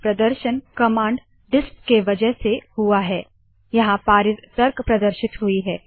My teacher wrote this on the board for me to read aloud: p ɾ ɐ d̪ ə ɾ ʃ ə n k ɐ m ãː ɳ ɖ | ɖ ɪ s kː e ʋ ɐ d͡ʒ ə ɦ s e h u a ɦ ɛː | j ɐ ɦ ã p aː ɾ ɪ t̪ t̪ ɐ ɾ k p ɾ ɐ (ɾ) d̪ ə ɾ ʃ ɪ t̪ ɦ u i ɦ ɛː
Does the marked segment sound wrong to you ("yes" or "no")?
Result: yes